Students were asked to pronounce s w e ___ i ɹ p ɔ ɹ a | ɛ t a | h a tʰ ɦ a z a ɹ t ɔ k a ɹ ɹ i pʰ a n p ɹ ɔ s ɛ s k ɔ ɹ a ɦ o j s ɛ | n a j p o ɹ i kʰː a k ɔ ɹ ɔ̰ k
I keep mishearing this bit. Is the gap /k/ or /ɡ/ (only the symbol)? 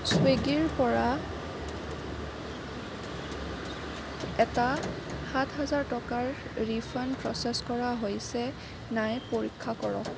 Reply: ɡ